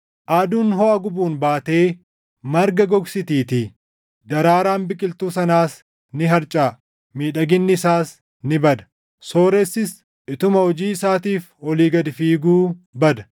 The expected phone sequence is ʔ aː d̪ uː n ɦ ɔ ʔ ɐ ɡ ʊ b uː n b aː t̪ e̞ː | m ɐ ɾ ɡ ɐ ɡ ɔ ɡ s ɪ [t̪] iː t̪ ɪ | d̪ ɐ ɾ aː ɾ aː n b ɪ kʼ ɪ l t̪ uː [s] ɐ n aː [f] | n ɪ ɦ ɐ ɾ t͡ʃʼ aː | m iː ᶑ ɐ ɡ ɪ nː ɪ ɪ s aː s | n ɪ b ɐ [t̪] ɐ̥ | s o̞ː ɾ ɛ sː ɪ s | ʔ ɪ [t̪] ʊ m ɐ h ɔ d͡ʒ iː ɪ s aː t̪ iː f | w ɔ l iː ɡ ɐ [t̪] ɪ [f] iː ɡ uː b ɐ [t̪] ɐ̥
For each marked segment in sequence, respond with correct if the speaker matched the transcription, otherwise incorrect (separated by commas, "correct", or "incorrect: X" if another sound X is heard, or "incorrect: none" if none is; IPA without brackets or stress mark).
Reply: correct, correct, incorrect: s, incorrect: d̪, correct, incorrect: d̪, correct, incorrect: d̪